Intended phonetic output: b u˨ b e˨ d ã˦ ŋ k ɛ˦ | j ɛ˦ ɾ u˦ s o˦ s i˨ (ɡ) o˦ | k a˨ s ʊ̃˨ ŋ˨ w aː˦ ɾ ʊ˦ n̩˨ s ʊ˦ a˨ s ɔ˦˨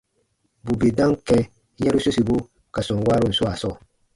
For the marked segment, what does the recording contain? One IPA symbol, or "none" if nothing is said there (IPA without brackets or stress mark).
b